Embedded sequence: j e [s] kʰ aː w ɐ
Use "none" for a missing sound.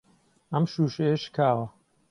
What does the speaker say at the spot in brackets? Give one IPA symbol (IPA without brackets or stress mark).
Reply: ʃ